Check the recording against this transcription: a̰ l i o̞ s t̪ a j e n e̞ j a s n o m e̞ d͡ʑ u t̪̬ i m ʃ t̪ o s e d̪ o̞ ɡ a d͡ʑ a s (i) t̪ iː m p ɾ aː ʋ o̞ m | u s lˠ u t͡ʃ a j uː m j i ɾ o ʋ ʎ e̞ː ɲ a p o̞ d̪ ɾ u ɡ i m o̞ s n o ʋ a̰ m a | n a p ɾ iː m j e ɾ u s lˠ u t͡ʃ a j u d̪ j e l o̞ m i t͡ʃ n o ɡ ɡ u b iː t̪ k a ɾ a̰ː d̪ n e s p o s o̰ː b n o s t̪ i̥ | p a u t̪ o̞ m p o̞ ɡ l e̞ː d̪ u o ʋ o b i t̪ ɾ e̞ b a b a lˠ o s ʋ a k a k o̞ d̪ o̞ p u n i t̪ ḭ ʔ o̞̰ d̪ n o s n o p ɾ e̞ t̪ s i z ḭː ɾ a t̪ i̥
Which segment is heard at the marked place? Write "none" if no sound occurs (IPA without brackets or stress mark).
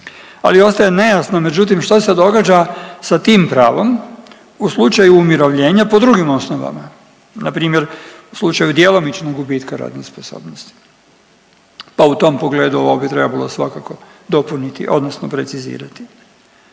a